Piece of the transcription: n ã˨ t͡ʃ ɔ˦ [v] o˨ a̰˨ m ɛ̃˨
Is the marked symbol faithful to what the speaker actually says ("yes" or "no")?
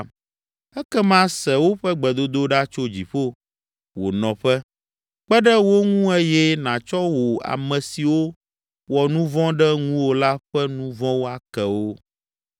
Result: no